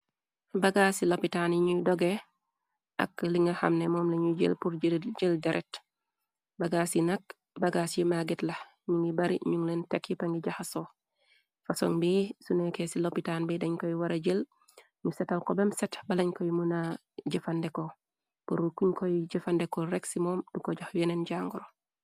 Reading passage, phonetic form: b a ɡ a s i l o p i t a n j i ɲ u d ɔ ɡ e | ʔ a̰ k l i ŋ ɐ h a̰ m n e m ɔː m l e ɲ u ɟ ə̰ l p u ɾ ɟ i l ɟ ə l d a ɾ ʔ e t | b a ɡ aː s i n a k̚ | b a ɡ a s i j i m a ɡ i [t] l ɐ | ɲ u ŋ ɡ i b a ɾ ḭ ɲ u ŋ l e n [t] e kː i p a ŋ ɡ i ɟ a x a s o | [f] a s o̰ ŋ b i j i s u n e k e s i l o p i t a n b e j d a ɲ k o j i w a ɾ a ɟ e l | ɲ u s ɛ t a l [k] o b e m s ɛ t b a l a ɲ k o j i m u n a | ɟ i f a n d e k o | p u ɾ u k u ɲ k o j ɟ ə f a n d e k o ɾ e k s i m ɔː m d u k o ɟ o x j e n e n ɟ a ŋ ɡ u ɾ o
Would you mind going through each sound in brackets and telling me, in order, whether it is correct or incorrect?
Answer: correct, correct, correct, correct

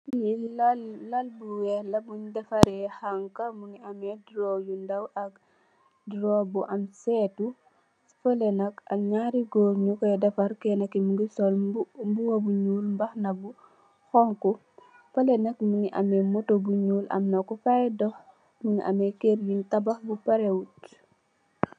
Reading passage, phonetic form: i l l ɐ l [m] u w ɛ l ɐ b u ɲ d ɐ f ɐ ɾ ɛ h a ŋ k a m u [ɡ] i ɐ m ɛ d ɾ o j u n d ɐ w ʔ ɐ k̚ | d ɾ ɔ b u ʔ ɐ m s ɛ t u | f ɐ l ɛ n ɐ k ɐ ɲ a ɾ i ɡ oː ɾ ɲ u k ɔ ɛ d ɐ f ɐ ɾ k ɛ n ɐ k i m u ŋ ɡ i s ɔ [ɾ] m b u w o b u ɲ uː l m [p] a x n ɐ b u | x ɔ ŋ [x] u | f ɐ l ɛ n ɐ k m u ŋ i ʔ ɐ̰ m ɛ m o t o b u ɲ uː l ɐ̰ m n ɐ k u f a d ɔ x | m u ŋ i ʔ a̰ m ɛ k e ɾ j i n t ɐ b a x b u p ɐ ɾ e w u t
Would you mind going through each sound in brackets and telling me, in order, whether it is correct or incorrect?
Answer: incorrect: b, incorrect: ŋ, incorrect: l, incorrect: b, incorrect: k

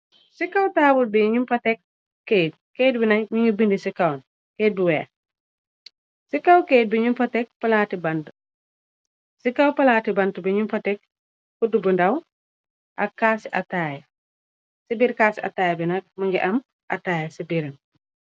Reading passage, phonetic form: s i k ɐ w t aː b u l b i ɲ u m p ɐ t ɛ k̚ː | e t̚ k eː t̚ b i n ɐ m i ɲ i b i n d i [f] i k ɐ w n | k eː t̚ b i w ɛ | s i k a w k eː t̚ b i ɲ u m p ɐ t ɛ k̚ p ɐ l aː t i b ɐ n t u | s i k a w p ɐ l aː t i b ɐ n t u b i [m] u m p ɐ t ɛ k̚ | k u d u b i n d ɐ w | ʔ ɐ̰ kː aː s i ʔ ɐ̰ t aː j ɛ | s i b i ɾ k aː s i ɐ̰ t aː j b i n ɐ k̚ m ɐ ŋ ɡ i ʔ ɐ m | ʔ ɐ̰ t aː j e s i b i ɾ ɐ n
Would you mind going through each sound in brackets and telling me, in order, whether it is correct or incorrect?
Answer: incorrect: s, incorrect: ɲ

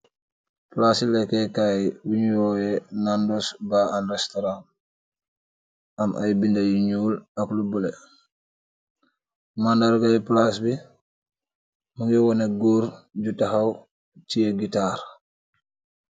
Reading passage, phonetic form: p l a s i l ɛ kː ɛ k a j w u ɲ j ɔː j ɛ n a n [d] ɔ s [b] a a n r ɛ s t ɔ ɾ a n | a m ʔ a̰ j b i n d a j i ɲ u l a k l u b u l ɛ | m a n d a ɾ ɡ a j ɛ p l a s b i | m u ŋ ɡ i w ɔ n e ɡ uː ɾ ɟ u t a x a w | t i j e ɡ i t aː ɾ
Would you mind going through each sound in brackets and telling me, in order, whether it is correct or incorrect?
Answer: correct, correct

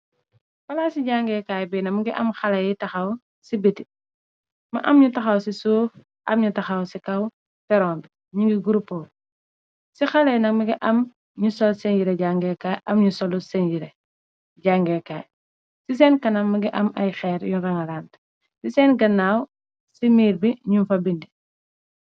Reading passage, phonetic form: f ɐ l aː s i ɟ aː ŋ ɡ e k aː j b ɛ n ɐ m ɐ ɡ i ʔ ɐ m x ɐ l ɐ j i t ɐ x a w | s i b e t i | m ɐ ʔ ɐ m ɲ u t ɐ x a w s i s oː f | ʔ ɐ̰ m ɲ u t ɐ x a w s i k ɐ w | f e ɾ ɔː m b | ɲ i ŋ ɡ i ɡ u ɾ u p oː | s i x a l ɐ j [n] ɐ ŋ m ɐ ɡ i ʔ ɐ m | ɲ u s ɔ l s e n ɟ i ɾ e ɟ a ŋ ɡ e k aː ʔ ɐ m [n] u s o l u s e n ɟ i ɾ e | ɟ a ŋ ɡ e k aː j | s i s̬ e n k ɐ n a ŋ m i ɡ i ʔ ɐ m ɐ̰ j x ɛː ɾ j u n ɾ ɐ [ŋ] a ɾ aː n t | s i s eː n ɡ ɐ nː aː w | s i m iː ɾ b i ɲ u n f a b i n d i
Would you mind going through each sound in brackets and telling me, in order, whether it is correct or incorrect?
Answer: correct, incorrect: ɲ, correct

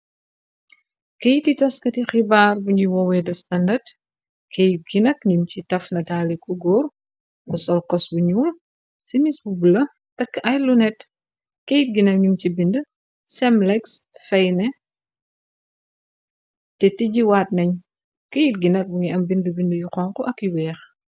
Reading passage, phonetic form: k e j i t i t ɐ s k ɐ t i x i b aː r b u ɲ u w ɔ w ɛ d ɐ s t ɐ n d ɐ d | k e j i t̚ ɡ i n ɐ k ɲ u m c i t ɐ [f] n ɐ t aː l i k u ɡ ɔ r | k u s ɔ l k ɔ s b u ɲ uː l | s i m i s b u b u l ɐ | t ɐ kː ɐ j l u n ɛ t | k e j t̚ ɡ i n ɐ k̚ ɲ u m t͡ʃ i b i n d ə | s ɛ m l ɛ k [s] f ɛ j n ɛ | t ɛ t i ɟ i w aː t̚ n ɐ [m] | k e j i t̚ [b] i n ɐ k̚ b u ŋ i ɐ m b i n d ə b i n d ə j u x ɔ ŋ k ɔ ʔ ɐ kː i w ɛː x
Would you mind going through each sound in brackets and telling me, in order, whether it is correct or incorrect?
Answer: correct, correct, incorrect: ɲ, incorrect: ɡ

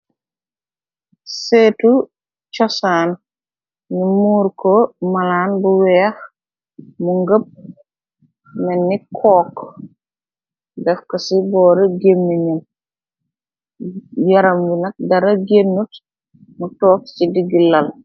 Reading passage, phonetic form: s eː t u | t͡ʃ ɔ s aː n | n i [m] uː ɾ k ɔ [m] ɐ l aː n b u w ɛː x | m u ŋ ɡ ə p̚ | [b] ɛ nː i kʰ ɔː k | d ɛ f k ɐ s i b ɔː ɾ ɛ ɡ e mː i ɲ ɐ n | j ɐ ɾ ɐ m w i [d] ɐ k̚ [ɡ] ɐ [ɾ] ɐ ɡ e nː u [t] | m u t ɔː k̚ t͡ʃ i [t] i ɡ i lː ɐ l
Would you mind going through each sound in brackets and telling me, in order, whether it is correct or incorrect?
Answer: correct, correct, incorrect: m, incorrect: n, incorrect: d, correct, correct, incorrect: d

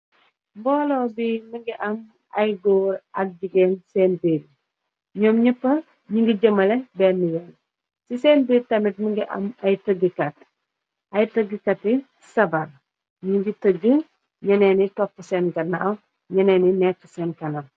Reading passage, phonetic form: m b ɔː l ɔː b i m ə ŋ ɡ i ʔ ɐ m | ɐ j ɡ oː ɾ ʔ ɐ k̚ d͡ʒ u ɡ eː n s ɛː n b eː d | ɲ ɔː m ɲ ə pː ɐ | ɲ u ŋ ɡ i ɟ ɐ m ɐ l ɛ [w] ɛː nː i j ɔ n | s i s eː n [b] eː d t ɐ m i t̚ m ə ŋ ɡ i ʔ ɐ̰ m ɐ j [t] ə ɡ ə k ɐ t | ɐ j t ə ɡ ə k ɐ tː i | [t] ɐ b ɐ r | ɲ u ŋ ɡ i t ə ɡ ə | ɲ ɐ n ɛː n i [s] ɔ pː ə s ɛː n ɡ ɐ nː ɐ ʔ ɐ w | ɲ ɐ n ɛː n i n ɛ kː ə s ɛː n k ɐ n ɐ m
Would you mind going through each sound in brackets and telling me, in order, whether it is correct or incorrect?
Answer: incorrect: b, correct, correct, incorrect: s, incorrect: t

